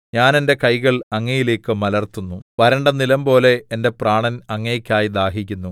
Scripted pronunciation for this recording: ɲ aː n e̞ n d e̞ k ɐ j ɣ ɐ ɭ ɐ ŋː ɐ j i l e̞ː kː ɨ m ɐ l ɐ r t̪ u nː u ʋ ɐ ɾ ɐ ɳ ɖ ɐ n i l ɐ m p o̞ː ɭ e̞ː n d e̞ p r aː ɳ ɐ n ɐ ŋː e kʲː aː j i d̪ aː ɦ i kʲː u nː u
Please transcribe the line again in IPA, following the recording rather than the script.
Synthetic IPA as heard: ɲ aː n e̞ n d e̞ k ɐ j ɣ ɐ ɭ ɐ ŋː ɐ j i l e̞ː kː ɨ m ɐ l ɐ r t̪ u nː u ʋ ɐ ɾ ɐ ɳ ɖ ɐ n i l ɐ m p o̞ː l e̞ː n d e̞ p r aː ɳ ɐ n ɐ ŋː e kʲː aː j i d̪ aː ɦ i kʲː u nː u